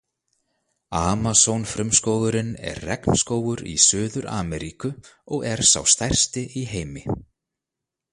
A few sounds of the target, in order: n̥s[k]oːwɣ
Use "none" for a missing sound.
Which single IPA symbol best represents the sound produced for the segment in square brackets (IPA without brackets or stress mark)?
k